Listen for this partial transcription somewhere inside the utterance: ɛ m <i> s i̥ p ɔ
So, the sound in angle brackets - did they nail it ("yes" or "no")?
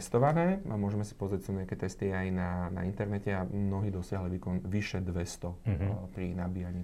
no